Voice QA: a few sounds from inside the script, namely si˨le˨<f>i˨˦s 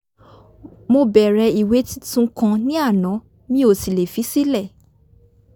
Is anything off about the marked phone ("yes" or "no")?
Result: no